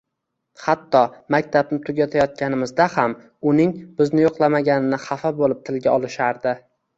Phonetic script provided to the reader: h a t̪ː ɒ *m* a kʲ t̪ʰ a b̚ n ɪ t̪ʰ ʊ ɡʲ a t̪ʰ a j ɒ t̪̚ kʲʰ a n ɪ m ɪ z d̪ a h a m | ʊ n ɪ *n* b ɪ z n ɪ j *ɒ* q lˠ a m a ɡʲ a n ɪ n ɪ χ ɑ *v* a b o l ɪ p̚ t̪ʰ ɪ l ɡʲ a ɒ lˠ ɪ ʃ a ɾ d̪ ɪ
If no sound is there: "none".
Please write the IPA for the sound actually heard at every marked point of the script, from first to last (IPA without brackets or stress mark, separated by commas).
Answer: m, ŋ, o, f